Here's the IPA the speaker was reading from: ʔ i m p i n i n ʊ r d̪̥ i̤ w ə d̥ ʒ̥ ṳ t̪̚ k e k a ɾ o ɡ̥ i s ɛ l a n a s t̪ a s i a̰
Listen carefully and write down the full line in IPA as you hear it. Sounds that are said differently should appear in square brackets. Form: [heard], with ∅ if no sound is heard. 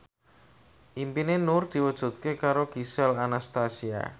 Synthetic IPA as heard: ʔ i m p i n [e] n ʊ r d̪̥ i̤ w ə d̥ ʒ̥ ṳ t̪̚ k e k a ɾ o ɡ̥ i s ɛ l a n a s t̪ a s i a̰